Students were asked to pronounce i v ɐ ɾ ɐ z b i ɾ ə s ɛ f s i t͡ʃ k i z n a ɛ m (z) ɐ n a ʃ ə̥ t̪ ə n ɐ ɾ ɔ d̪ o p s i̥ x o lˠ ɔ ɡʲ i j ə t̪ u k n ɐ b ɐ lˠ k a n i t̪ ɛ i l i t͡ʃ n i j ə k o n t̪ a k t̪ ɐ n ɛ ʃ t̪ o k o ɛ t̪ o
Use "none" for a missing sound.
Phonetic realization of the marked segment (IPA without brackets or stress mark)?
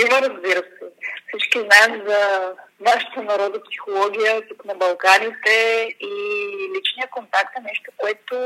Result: z